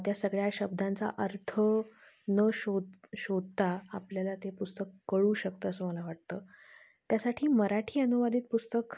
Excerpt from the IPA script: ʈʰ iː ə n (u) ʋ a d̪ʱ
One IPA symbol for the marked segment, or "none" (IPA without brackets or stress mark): u